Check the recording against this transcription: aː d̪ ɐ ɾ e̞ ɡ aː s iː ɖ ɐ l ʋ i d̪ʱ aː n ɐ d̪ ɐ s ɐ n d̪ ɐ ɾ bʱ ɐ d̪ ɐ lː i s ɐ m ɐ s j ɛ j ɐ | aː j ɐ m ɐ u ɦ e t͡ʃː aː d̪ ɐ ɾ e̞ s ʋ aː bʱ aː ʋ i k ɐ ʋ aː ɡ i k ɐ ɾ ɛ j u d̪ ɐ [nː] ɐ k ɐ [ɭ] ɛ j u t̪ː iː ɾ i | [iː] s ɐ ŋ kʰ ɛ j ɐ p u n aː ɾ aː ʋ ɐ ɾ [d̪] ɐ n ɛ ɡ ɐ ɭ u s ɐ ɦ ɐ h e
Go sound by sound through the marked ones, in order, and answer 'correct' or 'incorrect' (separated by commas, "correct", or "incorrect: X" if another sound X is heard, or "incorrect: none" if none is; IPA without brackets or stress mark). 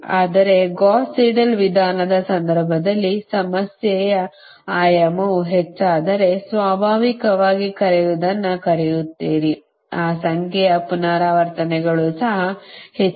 correct, incorrect: ɾ, incorrect: aː, incorrect: t̪